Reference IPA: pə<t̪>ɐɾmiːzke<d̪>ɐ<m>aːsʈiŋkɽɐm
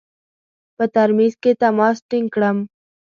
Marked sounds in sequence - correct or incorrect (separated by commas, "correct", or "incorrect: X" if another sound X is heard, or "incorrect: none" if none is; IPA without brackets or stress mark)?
correct, incorrect: t̪, correct